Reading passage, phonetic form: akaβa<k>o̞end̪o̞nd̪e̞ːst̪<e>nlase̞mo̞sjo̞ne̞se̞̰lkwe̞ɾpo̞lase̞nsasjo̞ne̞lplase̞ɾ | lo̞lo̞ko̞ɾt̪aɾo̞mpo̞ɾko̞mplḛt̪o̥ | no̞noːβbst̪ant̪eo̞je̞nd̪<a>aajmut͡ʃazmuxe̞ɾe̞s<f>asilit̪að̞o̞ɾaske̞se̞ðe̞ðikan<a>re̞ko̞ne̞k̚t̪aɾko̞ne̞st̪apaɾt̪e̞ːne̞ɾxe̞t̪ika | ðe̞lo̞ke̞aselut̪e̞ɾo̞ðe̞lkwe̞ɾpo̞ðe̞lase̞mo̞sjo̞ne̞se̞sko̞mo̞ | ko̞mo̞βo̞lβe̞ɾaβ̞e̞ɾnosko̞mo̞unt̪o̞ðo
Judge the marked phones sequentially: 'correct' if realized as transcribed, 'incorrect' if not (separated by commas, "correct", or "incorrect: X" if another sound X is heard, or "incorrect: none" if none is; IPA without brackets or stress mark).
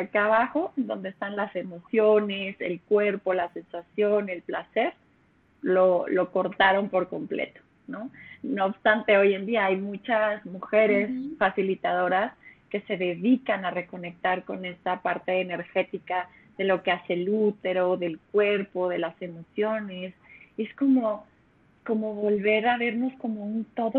incorrect: x, incorrect: a, incorrect: i, correct, correct